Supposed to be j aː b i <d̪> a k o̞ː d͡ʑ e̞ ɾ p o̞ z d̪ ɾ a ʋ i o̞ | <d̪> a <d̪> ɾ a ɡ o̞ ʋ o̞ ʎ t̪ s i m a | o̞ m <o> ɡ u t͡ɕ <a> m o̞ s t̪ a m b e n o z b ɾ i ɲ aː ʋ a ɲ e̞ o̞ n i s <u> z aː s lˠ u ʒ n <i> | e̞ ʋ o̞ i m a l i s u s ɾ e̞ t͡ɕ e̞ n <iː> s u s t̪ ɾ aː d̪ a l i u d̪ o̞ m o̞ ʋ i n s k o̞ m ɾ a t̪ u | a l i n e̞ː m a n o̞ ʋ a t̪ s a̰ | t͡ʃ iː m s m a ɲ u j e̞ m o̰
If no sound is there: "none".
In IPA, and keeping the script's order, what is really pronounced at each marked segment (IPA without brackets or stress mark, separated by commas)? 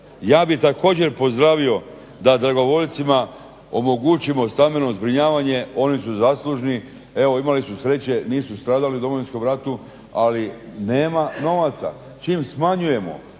t̪, d̪, d̪, o, i, u, i, iː